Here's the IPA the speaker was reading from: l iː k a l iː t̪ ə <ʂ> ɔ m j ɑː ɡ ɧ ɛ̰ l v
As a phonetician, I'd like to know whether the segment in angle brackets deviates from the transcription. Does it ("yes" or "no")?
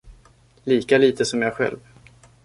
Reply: yes